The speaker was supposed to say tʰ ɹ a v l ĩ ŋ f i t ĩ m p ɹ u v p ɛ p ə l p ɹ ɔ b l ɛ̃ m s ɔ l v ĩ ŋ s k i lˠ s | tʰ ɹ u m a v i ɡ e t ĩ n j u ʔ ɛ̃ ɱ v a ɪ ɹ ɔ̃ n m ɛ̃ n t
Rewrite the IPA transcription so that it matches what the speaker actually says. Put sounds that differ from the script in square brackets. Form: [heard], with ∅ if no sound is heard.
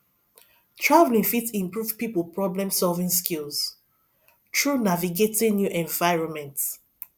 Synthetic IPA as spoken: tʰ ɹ a v l ĩ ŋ f i t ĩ m p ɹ u v p [i] p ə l p ɹ ɔ b l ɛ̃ m s ɔ l v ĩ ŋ s k i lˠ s | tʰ ɹ u [n] a v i ɡ e t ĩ n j u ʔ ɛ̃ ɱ v a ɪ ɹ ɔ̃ n m ɛ̃ n t